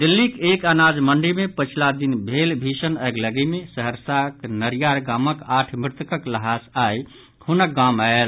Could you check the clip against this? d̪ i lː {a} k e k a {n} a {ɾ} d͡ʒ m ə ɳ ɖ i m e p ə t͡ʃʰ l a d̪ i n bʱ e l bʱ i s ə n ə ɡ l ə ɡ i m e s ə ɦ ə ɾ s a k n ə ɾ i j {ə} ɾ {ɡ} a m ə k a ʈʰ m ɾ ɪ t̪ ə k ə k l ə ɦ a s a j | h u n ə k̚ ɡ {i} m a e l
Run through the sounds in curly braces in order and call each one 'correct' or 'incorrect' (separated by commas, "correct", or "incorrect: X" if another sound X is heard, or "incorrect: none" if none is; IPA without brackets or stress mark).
incorrect: i, correct, incorrect: none, incorrect: a, correct, incorrect: a